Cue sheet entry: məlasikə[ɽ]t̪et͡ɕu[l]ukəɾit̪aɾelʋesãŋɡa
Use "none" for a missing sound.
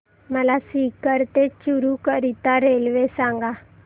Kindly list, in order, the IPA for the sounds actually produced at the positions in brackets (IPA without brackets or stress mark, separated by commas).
ɾ, ɾ